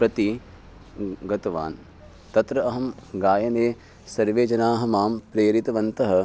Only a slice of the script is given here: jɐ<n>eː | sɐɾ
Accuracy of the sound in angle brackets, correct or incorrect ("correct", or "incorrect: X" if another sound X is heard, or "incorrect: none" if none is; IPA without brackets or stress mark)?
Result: correct